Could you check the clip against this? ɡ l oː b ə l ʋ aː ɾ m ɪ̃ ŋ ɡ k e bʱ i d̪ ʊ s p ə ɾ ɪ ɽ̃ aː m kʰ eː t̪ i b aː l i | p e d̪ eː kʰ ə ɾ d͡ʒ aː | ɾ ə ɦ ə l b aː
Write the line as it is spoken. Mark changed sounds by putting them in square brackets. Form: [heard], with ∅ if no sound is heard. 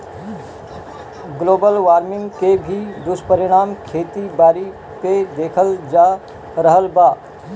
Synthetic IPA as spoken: ɡ l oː b ə l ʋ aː ɾ m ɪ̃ ŋ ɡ k e bʱ i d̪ ʊ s p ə ɾ ɪ ɽ̃ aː m kʰ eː t̪ i b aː [ɾ] i | p e d̪ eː kʰ ə [l] d͡ʒ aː | ɾ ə ɦ ə l b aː